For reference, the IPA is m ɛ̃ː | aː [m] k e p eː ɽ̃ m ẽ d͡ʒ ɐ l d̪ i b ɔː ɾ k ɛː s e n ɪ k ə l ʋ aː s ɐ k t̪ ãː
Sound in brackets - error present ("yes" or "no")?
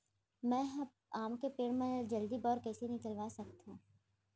no